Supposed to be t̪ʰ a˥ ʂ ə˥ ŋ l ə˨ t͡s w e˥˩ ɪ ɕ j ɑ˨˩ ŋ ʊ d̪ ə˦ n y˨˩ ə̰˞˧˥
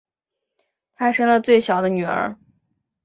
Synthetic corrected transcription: t̪ʰ a˥ ʂ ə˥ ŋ l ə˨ t͡s w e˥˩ ɪ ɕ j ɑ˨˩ ʊ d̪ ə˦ n y˨˩ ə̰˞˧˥